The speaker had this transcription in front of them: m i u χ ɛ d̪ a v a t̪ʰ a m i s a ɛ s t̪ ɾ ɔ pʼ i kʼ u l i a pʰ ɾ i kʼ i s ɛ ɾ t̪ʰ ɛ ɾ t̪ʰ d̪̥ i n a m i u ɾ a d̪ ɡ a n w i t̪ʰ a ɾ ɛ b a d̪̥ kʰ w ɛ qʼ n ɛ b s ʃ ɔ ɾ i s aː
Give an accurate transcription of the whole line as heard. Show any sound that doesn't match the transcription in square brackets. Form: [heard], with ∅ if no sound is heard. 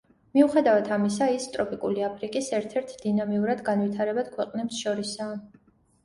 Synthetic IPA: m i u χ ɛ d̪ a v a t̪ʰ a m i s a [i] s [t̪ʼ] ɾ ɔ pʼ i kʼ u l i a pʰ ɾ i kʼ i s ɛ ɾ t̪ʰ ɛ ɾ t̪ʰ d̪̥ i n a m i u ɾ a d̪ ɡ a n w i t̪ʰ a ɾ ɛ b a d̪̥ kʰ w ɛ qʼ n ɛ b s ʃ ɔ ɾ i s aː